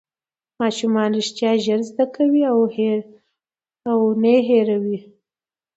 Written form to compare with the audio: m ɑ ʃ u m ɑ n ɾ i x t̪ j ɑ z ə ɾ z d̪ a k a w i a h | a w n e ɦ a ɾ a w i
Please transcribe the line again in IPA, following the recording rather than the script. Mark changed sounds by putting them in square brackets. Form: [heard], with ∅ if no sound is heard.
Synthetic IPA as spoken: m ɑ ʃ u m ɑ n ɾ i [ʃ] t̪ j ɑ [ʒ] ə ɾ z d̪ a k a w i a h | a w n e ɦ [e] ɾ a w i